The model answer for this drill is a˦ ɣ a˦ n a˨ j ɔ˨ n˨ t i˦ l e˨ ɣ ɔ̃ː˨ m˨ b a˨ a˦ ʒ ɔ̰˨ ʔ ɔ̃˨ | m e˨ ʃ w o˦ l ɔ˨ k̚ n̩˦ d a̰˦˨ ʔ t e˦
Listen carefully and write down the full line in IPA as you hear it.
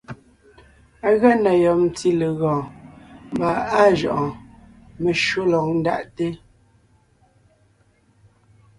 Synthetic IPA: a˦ ɣ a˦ n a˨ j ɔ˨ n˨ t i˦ l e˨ ɣ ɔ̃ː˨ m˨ b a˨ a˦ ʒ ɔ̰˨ ʔ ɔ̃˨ | m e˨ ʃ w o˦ l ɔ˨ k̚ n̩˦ d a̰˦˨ ʔ t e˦

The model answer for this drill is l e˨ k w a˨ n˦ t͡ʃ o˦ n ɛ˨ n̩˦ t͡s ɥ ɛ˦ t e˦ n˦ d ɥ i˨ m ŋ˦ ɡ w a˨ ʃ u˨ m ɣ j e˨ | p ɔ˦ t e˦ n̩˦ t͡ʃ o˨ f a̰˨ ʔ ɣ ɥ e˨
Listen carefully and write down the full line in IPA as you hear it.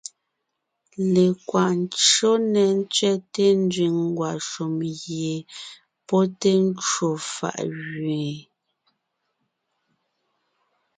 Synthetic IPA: l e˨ k w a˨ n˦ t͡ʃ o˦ n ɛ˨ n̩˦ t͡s ɥ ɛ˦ t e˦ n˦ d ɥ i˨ ŋ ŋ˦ ɡ w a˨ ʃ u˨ m ɣ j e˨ | p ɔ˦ t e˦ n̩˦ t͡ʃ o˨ f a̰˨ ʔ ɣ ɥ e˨

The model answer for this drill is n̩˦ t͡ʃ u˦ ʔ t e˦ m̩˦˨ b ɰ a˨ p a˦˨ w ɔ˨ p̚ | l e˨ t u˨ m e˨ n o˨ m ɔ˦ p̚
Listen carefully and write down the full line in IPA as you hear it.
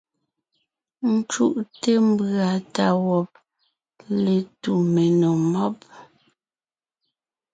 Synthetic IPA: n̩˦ t͡ʃ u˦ ʔ t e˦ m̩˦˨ b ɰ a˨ t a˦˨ w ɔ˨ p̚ | l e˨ t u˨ m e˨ n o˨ m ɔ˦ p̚

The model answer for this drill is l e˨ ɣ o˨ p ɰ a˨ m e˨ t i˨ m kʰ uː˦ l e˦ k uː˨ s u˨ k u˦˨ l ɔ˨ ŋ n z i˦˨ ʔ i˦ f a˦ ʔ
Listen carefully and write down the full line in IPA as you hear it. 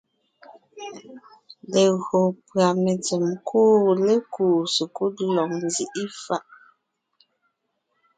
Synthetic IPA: l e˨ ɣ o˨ p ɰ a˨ m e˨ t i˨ m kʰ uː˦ l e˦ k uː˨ s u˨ k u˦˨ l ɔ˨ ŋ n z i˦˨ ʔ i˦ f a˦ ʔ

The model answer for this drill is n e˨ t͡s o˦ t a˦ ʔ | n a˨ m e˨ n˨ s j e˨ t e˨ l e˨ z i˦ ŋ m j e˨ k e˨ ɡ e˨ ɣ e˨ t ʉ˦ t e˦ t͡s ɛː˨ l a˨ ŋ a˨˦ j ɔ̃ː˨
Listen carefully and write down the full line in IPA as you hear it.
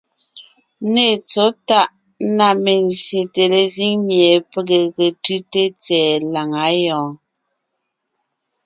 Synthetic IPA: n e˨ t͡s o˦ t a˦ ʔ | n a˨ m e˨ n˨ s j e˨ t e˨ l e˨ z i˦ ŋ m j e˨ p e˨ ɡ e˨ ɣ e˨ t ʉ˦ t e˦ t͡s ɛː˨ l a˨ ŋ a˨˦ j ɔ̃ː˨

